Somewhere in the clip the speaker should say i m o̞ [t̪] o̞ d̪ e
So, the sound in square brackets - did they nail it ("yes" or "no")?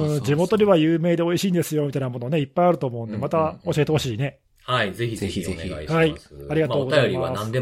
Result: yes